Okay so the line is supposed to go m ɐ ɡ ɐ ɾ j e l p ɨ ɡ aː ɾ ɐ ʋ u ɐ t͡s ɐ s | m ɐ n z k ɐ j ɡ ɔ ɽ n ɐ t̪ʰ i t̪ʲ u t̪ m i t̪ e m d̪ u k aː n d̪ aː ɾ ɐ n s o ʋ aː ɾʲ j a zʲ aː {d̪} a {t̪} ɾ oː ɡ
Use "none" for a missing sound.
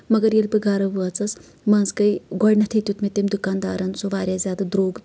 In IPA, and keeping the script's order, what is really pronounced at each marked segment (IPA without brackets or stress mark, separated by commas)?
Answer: d̪, d̪